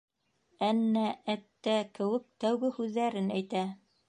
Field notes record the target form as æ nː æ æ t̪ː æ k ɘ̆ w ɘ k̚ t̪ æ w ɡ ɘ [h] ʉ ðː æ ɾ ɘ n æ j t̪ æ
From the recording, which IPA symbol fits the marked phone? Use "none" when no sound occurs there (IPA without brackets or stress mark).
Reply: h